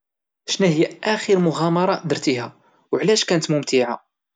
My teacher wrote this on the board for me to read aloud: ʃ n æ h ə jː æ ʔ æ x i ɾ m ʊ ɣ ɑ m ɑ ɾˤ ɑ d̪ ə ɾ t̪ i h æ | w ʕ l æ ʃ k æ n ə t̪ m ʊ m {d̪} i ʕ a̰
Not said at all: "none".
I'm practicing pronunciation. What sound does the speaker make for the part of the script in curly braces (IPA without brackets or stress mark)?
t̪